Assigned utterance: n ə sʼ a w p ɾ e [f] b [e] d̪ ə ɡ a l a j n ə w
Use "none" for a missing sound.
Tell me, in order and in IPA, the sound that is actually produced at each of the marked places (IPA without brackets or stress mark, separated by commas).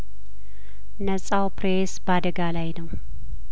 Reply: s, a